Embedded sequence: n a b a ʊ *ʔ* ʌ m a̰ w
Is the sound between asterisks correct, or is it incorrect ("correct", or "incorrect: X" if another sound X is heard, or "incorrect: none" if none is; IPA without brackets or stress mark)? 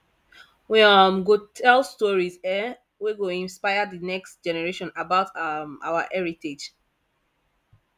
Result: incorrect: t